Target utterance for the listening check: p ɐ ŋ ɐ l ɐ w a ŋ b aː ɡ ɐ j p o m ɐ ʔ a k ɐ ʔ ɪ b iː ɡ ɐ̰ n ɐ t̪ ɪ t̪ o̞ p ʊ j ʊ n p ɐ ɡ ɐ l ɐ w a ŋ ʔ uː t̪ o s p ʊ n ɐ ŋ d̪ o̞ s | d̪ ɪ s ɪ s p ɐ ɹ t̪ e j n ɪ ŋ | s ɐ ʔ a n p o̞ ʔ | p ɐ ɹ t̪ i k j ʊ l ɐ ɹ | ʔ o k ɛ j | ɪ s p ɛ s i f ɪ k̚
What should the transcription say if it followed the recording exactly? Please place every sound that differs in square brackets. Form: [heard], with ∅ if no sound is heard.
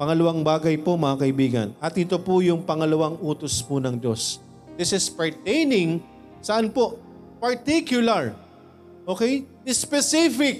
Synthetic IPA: p ɐ ŋ ɐ l ɐ w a ŋ b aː ɡ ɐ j p o m ɐ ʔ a k ɐ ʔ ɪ b iː ɡ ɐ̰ n ɐ t̪ ɪ t̪ o̞ p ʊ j ʊ [ŋ] p ɐ [ŋ] ɐ l ɐ w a ŋ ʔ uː t̪ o s p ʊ n ɐ ŋ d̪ o̞ s | d̪ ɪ s ɪ s p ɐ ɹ t̪ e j n ɪ ŋ | s ɐ ʔ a n p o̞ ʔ | p ɐ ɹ t̪ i k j ʊ l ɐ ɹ | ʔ o k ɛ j | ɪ s p ɛ s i f ɪ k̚